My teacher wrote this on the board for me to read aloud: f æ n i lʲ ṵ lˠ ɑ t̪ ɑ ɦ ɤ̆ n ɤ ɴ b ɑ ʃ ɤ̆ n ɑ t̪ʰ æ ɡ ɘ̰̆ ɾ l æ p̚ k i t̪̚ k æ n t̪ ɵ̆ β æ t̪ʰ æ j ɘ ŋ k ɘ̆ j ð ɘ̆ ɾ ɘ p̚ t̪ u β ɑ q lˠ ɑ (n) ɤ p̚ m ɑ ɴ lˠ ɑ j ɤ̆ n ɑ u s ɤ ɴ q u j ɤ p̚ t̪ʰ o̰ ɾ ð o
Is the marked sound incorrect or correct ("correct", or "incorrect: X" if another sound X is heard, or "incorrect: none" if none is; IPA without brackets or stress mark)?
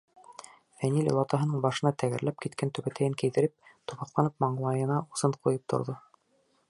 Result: correct